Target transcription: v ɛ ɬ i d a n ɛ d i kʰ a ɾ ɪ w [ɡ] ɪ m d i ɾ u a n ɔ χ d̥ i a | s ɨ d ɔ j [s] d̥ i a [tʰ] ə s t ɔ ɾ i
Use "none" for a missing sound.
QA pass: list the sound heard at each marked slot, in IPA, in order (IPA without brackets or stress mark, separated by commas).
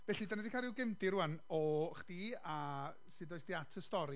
ɡ, s, tʰ